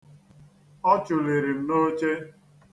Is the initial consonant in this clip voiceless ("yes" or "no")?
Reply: yes